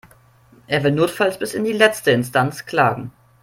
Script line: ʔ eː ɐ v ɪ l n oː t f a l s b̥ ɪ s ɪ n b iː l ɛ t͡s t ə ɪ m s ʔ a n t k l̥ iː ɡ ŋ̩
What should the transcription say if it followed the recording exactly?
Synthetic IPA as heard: ʔ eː ɐ v ɪ l n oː t f a l s b̥ ɪ s ɪ n d iː l ɛ t͡s t ə ɪ n s t a n t͡s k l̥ aː ɡ ŋ̩